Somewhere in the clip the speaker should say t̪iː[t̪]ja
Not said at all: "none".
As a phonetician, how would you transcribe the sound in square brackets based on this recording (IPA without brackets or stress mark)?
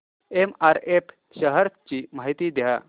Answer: d̪